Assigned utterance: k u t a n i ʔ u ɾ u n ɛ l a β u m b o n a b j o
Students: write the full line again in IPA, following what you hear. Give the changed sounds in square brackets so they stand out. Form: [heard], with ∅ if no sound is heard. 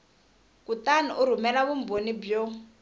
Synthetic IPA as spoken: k u t a n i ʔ u ɾ u [m] ɛ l a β u m b o n [i] b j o

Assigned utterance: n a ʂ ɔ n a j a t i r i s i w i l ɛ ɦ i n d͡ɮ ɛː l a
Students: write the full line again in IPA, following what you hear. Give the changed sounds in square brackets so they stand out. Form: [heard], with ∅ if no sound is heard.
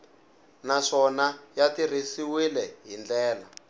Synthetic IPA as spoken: n a ʂ ɔ n a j a t i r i s i w i l ɛ ɦ i n d͡ɮ ɛː l a

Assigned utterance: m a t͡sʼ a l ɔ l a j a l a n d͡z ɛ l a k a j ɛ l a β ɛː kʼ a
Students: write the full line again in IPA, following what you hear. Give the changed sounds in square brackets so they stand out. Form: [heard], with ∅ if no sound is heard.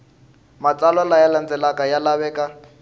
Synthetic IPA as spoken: m a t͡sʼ a l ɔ l a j a l a n d͡z ɛ l a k a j [a] l a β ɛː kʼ a

